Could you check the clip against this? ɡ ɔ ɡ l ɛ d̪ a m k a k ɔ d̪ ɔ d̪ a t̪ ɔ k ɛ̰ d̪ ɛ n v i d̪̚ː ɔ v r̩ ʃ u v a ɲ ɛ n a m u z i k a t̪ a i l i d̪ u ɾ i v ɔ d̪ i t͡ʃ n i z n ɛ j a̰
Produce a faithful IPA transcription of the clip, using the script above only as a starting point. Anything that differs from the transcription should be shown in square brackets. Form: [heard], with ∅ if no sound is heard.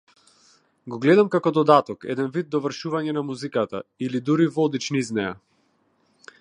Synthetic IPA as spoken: ɡ ɔ ɡ l ɛ d̪ a m k a k ɔ d̪ ɔ d̪ a t̪ ɔ k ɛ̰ d̪ ɛ n v i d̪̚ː ɔ v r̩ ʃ u v a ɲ ɛ n a m u z i k a t̪ a i l i d̪ u ɾ i v ɔ d̪ i t͡ʃ n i z n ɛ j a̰

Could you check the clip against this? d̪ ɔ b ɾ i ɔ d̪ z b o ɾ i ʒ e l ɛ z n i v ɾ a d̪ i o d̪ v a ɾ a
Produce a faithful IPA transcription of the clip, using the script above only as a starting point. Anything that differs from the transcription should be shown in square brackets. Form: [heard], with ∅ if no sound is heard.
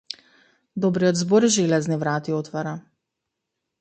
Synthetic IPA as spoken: d̪ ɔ b ɾ i ɔ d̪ z b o ɾ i ʒ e l ɛ z n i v ɾ a [t̪] i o [t̪] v a ɾ a

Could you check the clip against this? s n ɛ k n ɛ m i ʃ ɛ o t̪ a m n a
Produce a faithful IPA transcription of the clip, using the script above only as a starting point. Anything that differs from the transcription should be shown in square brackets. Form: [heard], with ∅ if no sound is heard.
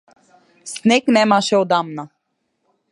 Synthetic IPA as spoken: s n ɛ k n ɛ m [a] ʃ ɛ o [d̪] a m n a

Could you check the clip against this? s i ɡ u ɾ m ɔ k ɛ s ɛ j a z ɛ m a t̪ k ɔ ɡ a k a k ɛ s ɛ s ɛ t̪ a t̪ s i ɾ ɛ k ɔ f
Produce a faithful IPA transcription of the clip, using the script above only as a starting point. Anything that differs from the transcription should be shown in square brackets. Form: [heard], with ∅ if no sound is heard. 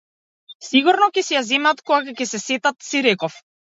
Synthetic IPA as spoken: s i ɡ u ɾ [n] ɔ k ɛ s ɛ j a z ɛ m a t̪ k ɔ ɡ a k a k ɛ s ɛ s ɛ t̪ a t̪ s i ɾ ɛ k ɔ f

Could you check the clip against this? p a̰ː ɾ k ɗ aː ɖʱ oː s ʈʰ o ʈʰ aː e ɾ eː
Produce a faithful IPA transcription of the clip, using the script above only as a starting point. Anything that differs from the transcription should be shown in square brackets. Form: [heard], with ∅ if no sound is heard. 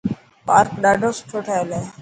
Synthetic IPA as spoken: p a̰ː ɾ k ɗ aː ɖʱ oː s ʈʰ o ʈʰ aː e [l] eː

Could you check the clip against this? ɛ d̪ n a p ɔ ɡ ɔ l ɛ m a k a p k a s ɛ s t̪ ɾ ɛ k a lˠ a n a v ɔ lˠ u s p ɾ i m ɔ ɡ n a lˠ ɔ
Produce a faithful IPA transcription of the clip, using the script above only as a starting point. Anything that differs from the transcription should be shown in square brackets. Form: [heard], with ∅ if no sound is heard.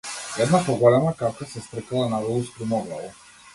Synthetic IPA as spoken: ɛ d̪ n a p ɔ ɡ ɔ l ɛ m a k a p k a s ɛ s t̪ ɾ ɛ k a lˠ a n a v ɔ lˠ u s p ɾ i m ɔ ɡ n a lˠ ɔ

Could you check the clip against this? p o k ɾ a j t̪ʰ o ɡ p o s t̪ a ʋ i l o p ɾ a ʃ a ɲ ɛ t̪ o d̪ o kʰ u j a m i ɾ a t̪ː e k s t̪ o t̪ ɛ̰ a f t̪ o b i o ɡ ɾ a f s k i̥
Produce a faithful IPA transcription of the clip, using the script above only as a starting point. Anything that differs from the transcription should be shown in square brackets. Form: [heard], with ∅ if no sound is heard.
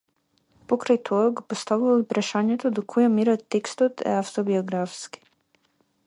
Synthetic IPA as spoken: p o k ɾ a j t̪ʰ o ɡ p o s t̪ a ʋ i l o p ɾ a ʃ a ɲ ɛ t̪ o d̪ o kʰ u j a m i ɾ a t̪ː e k s t̪ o t̪ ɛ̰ a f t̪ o b i o ɡ ɾ a f s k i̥

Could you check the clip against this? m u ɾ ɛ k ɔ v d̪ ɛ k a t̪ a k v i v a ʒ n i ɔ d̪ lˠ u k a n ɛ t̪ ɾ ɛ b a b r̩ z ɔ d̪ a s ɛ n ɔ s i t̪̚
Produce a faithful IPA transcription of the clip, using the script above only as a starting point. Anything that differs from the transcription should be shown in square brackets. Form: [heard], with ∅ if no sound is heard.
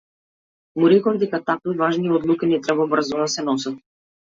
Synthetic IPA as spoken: m u ɾ ɛ k ɔ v d̪ ɛ k a t̪ a k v i v a ʒ n i ɔ d̪ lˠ u k [i] n ɛ t̪ ɾ ɛ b a b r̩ z ɔ d̪ a s ɛ n ɔ s [a] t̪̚

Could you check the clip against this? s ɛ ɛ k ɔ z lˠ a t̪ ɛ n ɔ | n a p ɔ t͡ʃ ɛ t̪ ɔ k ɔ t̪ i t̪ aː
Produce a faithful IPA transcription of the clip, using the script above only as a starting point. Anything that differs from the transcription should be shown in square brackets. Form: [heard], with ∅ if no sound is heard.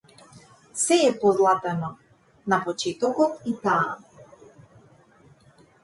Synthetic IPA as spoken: s ɛ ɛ [p] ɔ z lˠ a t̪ ɛ n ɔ | n a p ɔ t͡ʃ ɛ t̪ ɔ k ɔ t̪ i t̪ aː

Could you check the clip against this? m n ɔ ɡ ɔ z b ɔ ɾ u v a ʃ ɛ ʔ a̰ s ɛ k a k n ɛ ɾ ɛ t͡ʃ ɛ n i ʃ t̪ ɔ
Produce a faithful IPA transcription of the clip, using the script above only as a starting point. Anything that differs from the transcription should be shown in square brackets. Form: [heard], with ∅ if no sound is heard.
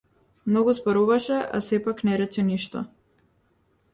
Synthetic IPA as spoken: m n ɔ ɡ [u] z b ɔ ɾ u v a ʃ ɛ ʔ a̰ s ɛ [p] a k n ɛ ɾ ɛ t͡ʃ ɛ n i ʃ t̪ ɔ

